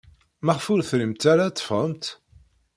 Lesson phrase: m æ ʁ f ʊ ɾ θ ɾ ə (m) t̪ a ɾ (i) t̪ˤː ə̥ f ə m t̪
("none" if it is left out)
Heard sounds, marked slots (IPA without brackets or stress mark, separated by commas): m, a